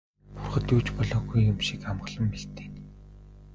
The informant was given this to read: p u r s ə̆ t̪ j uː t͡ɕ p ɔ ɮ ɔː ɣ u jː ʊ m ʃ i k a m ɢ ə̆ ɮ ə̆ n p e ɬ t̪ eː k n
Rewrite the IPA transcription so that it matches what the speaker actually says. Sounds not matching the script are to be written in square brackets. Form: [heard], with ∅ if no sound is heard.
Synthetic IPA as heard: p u r [χ] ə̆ t̪ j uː t͡ɕ p ɔ ɮ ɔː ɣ u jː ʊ m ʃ i k a m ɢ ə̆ ɮ ə̆ [m] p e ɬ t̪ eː [∅] n